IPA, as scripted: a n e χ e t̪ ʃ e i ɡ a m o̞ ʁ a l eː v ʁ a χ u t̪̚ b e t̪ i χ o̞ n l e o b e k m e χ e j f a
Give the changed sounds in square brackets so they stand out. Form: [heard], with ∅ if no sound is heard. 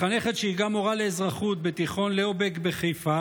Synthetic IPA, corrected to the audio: a n e χ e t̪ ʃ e i ɡ a m o̞ ʁ a l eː [z] ʁ a χ u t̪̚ b e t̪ i χ o̞ n l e o b e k [b] e χ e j f a